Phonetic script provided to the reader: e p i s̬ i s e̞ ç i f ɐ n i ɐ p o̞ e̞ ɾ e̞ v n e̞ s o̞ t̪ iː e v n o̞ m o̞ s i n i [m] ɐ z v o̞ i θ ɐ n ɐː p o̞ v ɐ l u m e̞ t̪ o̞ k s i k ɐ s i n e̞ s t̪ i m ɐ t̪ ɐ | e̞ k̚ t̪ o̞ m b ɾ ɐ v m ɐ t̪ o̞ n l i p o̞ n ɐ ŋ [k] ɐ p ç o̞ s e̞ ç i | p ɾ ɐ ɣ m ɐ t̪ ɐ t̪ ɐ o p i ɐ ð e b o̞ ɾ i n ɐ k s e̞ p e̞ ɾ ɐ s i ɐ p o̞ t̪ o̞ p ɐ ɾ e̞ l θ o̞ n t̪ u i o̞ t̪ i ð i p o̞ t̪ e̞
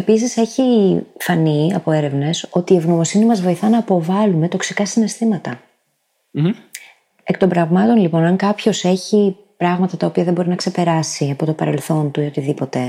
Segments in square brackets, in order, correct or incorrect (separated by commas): correct, correct